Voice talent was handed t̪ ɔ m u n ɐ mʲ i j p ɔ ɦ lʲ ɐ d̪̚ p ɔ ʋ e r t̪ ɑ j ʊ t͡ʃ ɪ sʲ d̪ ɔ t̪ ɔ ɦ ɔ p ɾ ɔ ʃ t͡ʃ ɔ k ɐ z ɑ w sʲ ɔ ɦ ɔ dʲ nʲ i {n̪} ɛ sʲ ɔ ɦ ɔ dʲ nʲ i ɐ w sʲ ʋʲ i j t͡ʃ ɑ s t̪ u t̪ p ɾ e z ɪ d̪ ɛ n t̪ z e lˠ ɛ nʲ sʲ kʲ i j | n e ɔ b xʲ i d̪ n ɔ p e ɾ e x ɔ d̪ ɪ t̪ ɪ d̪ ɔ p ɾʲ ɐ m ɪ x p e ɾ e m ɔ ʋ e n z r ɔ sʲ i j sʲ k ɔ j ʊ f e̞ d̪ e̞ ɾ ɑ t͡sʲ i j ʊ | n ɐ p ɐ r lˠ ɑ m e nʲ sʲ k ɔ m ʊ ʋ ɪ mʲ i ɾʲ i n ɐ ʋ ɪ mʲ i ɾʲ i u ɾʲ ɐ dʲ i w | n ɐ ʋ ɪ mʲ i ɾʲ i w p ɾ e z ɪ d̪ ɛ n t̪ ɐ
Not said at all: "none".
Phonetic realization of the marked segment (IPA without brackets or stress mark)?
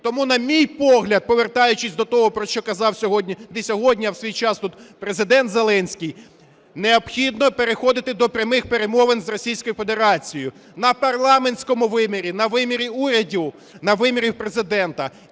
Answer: d̪